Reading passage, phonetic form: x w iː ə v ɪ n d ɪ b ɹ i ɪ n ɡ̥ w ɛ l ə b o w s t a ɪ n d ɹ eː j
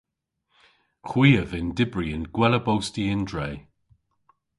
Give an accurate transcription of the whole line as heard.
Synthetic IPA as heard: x w iː ə v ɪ n d ɪ b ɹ i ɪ n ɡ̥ w ɛ l ə b o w s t i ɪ n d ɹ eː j